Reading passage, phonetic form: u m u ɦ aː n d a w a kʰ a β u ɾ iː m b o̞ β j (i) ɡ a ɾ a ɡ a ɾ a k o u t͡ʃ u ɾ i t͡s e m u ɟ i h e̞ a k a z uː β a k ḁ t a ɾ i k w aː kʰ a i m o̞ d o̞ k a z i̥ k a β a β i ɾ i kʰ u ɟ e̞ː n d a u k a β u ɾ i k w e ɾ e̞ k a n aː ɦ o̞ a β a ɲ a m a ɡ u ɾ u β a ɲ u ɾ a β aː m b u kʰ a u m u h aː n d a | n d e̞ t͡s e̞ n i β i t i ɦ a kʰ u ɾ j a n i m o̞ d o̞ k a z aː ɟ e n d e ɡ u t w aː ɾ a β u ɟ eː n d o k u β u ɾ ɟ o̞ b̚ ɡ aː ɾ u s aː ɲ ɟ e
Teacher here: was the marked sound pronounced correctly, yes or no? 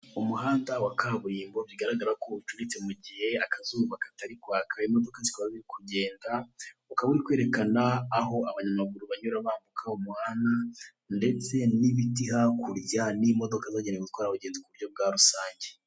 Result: yes